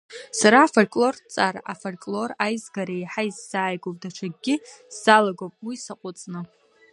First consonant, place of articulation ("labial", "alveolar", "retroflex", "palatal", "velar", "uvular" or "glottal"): alveolar